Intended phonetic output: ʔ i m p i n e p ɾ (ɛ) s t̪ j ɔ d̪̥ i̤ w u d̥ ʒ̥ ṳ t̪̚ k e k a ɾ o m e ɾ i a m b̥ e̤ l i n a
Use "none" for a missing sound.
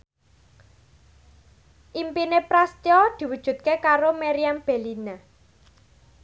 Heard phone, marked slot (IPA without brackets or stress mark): a